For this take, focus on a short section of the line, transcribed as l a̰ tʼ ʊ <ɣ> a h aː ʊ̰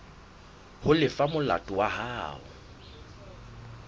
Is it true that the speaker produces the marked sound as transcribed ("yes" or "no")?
no